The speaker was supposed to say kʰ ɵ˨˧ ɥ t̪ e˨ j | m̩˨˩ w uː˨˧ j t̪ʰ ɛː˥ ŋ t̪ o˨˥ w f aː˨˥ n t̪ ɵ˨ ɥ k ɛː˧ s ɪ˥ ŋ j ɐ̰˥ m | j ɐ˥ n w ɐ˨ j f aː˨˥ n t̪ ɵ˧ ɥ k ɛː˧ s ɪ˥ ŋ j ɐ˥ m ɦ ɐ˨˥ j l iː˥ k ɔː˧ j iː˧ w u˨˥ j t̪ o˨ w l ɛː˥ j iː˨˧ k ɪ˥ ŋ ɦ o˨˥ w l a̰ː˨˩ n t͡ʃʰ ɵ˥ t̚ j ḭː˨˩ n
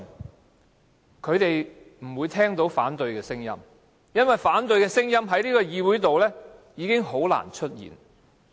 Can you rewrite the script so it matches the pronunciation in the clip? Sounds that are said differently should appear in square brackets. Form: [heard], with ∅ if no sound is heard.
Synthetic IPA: kʰ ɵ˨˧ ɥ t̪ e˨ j | m̩˨˩ w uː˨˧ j t̪ʰ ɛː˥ ŋ t̪ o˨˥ w f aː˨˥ n t̪ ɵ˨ ɥ k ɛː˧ s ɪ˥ ŋ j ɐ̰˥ m | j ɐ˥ n w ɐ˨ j f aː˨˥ n t̪ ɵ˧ ɥ k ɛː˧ s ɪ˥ ŋ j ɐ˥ m ɦ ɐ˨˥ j l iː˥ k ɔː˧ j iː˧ w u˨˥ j t̪ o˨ w l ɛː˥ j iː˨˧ k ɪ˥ ŋ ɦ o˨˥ w l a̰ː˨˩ n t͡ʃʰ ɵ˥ t̚ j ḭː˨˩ n